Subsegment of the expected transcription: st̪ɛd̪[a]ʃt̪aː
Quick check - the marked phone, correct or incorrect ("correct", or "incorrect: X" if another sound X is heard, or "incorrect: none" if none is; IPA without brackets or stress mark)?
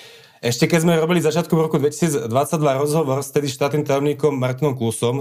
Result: incorrect: i